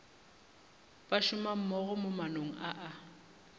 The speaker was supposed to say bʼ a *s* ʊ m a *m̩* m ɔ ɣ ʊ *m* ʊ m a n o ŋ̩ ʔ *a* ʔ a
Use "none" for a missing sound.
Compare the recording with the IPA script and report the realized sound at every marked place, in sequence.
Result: ʃ, m̩, m, a

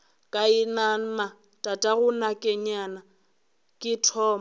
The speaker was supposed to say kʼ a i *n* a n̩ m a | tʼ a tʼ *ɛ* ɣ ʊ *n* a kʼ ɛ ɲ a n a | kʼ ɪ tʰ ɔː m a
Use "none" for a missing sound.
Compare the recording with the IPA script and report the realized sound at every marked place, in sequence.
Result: n, a, n

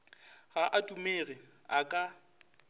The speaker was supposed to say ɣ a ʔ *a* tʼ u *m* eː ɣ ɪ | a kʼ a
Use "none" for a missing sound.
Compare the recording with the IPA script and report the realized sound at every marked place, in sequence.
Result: a, m

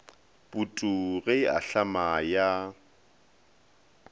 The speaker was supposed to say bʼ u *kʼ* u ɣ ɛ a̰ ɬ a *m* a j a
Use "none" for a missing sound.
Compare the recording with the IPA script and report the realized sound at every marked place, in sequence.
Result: tʼ, m

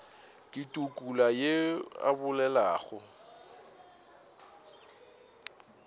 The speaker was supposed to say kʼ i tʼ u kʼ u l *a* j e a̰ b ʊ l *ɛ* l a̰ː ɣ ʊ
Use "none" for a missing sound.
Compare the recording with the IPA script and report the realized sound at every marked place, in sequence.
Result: a, ɛ

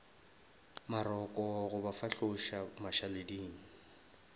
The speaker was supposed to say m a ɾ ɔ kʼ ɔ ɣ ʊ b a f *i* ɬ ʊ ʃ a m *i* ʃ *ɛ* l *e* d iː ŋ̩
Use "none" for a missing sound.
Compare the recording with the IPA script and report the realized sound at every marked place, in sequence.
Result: a, a, a, e

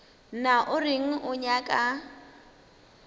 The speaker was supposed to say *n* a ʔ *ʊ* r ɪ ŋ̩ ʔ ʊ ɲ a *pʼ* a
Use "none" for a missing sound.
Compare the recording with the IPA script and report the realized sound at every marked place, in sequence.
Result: n, ʊ, kʼ

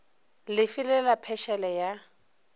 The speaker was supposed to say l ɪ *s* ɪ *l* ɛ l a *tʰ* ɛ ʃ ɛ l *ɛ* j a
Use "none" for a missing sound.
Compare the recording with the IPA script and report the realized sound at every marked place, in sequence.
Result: f, l, pʰ, ɛ

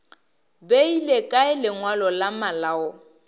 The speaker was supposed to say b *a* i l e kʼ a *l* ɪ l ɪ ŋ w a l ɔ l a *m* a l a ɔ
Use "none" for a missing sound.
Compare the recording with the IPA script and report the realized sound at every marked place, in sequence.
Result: e, none, m

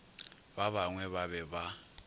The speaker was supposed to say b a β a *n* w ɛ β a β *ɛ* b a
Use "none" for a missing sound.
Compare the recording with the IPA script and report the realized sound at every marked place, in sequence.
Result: ŋ, ɛ

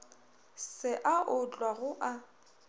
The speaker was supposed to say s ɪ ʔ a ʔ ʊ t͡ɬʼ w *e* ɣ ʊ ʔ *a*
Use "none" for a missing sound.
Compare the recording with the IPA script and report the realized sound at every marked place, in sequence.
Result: a, a

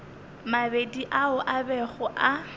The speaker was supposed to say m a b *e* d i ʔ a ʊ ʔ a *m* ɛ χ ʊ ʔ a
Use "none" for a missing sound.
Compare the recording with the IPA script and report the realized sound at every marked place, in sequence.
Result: e, b

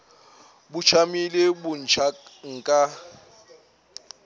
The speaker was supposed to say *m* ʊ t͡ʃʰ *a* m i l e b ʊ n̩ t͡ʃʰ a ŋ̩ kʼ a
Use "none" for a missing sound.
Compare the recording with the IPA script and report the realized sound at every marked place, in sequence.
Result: b, a

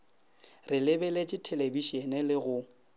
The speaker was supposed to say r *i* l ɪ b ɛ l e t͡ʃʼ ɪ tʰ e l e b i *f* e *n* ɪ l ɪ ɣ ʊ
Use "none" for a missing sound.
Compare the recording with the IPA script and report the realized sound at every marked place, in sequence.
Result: ɪ, ʃ, n

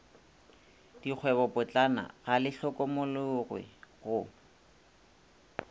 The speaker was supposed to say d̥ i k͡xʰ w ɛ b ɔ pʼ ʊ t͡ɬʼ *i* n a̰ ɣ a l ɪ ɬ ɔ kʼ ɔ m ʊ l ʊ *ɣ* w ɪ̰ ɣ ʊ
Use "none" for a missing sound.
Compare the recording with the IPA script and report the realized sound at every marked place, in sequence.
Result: a, ɣ

